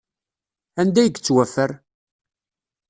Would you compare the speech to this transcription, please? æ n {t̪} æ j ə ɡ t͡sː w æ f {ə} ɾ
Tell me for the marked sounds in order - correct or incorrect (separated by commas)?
incorrect, correct